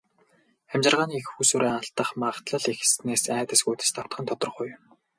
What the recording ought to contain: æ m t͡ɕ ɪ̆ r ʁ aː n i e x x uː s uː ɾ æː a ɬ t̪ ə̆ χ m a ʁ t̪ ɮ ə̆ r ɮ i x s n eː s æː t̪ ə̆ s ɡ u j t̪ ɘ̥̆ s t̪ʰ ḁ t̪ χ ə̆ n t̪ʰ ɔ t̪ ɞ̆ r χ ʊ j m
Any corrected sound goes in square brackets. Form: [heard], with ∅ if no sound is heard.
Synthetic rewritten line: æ m t͡ɕ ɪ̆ r ʁ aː n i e x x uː s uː ɾ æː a ɬ t̪ ə̆ χ m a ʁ t̪ ɮ ə̆ [∅] ɮ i x s n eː s æː t̪ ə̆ s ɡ u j t̪ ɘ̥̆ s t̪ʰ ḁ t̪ χ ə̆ n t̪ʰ ɔ t̪ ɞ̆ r χ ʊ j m